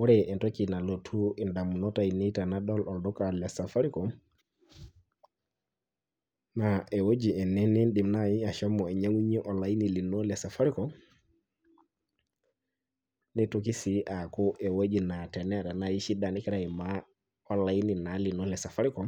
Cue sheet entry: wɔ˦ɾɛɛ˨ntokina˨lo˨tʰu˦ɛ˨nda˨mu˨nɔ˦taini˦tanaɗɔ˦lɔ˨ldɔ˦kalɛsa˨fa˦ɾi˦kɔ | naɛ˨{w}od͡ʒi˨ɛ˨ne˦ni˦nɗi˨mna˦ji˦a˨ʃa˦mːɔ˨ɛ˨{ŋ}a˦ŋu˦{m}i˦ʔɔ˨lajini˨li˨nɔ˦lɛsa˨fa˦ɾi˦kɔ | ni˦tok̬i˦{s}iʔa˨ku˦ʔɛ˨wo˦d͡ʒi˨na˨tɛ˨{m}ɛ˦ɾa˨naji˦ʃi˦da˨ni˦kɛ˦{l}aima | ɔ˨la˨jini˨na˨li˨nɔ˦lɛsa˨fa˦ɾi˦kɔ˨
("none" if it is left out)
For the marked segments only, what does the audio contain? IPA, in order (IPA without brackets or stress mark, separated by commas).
w, ɲ, ɲ, s, n, ɾ